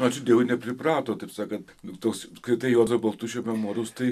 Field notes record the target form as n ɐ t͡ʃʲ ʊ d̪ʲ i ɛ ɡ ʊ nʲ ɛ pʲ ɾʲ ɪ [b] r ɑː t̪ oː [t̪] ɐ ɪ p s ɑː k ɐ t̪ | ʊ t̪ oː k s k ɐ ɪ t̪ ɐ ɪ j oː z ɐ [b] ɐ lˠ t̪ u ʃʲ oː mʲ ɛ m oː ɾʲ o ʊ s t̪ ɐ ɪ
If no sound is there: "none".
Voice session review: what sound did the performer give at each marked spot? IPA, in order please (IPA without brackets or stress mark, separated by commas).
p, t̪, b